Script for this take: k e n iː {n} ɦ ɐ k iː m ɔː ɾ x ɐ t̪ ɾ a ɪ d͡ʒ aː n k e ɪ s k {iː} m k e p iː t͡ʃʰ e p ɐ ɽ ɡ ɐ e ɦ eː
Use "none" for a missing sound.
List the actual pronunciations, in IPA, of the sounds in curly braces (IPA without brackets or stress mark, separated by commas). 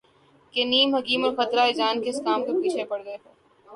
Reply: m, aː